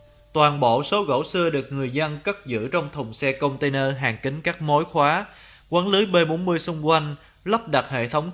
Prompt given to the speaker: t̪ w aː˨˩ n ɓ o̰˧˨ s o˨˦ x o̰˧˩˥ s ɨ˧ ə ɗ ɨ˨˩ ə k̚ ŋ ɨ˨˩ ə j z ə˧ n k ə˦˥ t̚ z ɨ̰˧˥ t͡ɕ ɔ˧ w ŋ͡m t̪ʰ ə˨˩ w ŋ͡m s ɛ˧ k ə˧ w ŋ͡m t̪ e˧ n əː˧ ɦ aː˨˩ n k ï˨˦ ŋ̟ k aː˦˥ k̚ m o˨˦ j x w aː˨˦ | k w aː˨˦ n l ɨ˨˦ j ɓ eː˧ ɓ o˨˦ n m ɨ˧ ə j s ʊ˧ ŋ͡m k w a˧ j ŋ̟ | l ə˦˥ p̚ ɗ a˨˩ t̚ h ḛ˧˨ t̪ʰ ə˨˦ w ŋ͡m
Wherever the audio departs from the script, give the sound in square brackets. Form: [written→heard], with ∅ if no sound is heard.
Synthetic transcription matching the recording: t̪ w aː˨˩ n ɓ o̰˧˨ s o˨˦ [x→ɣ] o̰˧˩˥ s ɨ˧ ə ɗ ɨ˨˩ ə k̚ ŋ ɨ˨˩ ə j z ə˧ n k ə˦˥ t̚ z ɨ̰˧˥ t͡ɕ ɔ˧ w ŋ͡m t̪ʰ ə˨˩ w ŋ͡m s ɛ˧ k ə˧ w ŋ͡m t̪ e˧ n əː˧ ɦ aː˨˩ [n→ŋ] k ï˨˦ ŋ̟ k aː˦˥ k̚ m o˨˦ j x w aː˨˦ | k w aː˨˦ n l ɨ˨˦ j ɓ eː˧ ɓ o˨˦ n m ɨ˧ ə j s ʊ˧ ŋ͡m k w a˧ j ŋ̟ | l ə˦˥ p̚ ɗ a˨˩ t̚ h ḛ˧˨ t̪ʰ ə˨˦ w ŋ͡m

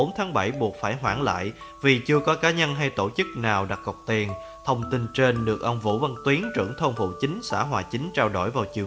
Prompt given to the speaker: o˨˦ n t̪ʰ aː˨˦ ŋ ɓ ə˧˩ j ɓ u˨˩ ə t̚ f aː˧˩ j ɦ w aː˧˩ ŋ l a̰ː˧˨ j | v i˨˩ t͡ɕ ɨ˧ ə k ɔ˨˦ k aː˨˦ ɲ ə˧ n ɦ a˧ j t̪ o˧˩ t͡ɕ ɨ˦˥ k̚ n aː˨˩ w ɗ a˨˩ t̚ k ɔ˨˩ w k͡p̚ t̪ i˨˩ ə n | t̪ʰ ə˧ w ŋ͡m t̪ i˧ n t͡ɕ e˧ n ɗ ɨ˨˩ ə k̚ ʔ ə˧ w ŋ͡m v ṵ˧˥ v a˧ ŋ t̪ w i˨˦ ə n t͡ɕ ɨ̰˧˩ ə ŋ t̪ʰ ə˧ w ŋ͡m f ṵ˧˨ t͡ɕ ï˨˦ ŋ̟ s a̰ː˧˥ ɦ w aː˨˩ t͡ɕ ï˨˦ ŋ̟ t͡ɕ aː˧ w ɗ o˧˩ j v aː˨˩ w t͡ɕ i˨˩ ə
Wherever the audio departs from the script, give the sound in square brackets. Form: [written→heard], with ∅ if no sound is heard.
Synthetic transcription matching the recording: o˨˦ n t̪ʰ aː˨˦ ŋ ɓ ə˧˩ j ɓ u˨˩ ə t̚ f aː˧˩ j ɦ w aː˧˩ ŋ l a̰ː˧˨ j | v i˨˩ t͡ɕ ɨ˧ ə k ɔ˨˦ k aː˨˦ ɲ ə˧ n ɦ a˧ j t̪ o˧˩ t͡ɕ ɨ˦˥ k̚ n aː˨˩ w ɗ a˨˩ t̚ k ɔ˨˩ w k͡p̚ t̪ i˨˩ ə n | t̪ʰ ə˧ w ŋ͡m t̪ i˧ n t͡ɕ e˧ n ɗ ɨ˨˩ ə k̚ ʔ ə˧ w ŋ͡m v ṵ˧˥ v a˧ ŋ t̪ w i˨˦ ə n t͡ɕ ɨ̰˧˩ ə ŋ t̪ʰ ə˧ w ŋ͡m f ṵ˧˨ t͡ɕ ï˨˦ ŋ̟ s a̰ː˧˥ ɦ w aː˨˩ t͡ɕ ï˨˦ ŋ̟ t͡ɕ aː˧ w ɗ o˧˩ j v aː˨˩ w t͡ɕ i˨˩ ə

